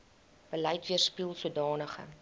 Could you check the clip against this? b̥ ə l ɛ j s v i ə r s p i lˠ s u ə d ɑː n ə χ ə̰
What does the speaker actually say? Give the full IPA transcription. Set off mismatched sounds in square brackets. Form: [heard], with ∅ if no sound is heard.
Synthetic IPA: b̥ ə l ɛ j [t] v i ə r s p i lˠ s u ə d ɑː n ə χ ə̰